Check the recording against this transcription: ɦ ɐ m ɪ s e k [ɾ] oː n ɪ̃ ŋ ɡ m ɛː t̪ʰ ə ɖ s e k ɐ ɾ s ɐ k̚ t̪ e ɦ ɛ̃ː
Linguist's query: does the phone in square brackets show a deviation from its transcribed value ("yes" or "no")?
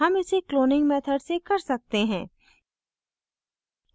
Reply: yes